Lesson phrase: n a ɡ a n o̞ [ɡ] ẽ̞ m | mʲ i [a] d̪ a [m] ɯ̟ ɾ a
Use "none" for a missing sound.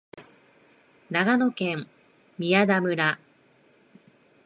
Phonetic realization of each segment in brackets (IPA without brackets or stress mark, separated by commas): k, a, m